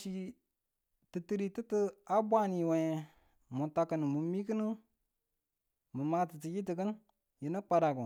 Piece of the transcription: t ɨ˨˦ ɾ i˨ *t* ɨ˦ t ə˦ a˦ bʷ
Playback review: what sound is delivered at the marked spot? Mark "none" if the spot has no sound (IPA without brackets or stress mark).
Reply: t